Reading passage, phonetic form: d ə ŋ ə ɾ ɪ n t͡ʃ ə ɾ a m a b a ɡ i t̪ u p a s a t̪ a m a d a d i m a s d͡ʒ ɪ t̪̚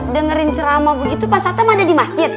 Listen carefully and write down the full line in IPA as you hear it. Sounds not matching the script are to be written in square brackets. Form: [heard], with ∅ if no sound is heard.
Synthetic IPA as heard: d ə ŋ ə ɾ ɪ n t͡ʃ ə ɾ a m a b [ə] ɡ i t̪ u p a s a t̪ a m a d a d i m a s d͡ʒ ɪ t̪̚